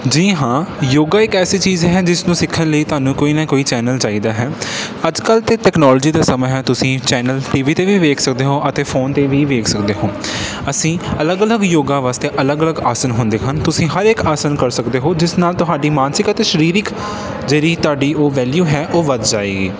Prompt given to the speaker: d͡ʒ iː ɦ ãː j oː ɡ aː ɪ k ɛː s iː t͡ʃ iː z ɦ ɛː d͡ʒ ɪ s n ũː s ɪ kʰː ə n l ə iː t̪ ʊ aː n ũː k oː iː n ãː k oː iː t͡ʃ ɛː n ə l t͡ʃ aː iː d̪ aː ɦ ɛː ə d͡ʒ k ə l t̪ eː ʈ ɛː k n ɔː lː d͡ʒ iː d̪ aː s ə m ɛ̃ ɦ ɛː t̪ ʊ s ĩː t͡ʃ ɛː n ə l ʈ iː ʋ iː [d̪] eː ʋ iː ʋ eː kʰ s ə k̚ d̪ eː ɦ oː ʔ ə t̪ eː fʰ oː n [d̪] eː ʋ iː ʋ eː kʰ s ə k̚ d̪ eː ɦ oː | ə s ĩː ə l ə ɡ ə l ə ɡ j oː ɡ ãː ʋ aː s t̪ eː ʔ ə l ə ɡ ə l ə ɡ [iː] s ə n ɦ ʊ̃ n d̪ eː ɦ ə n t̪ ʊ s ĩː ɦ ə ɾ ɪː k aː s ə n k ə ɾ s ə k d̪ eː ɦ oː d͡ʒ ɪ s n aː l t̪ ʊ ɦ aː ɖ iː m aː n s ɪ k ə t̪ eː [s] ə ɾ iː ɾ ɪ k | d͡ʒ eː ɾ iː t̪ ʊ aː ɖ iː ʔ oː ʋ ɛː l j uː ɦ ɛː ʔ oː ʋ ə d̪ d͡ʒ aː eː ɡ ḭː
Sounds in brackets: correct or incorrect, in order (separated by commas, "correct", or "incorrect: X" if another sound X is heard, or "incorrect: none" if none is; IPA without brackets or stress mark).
incorrect: t̪, incorrect: t̪, incorrect: aː, incorrect: ʃ